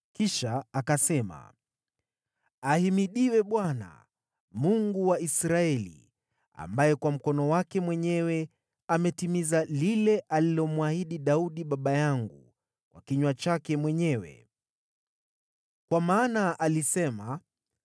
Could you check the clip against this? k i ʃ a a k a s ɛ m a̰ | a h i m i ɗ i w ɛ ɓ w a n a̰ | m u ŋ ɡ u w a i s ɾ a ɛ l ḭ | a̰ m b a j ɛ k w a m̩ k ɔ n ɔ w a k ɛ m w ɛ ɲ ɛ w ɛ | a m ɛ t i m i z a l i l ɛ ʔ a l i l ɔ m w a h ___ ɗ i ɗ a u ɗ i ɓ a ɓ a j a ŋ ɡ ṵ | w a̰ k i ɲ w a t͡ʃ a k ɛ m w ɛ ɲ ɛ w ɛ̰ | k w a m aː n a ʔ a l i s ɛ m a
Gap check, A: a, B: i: B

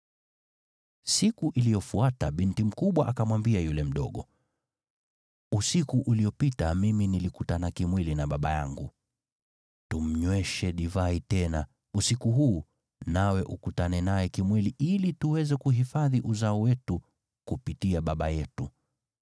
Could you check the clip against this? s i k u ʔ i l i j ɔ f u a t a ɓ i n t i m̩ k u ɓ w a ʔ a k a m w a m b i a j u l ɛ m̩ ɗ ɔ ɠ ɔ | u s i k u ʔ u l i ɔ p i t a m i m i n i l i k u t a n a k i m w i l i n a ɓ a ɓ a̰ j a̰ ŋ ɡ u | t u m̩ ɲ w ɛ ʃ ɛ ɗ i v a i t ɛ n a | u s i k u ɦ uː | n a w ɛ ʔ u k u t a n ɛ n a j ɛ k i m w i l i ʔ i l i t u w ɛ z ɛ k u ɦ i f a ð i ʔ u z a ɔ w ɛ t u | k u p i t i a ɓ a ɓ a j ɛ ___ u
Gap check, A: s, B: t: B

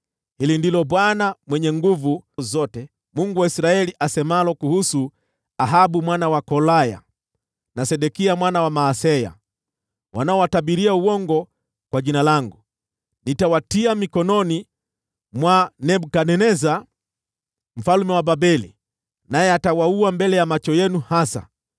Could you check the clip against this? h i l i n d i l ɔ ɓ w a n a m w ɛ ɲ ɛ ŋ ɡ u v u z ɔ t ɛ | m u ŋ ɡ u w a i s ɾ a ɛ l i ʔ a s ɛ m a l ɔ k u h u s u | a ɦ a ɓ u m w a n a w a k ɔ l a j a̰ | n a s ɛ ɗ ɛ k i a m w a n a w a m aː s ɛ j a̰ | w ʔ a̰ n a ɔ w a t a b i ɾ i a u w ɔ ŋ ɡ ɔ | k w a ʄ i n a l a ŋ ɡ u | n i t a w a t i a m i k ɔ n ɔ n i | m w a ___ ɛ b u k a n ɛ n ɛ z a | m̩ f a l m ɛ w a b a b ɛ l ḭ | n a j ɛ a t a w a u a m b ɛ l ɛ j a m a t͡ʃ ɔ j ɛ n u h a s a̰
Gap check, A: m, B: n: B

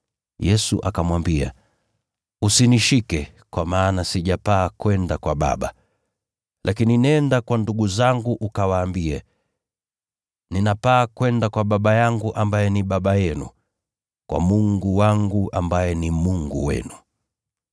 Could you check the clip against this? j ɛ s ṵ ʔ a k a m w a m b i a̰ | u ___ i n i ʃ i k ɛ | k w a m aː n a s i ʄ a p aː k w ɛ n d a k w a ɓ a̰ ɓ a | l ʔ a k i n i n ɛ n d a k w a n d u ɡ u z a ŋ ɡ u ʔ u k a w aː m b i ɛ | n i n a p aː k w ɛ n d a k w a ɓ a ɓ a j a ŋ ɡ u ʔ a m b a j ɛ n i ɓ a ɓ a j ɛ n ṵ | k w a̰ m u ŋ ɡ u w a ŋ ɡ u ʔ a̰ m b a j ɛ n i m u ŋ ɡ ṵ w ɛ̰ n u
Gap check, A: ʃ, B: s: B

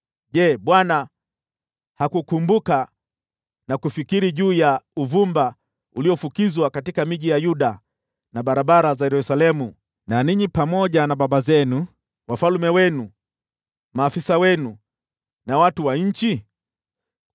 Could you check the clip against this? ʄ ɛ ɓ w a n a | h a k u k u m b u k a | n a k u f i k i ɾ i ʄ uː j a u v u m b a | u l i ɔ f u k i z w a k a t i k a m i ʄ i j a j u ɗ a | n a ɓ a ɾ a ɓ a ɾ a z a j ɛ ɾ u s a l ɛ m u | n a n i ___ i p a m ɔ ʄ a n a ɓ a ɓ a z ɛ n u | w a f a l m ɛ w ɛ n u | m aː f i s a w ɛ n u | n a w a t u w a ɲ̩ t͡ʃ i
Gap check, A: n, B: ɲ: B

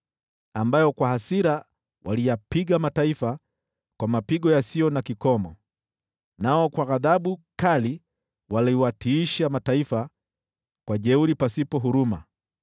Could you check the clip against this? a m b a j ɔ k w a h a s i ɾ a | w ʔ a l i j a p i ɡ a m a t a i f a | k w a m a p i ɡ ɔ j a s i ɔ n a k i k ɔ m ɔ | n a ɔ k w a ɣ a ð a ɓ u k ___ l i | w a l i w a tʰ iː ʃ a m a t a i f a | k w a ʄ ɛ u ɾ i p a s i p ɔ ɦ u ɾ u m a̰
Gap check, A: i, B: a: B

